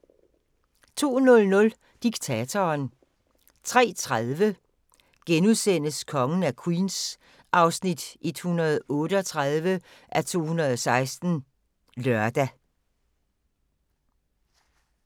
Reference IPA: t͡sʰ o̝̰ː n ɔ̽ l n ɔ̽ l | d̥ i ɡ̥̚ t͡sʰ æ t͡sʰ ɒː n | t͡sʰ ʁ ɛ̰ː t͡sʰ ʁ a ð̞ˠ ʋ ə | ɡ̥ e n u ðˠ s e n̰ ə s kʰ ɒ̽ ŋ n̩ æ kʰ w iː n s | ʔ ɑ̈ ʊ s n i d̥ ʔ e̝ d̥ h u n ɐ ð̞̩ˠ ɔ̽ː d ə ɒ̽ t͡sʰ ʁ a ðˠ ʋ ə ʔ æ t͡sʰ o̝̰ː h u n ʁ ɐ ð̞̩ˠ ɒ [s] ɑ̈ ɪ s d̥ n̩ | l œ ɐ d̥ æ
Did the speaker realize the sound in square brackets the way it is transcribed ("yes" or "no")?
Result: yes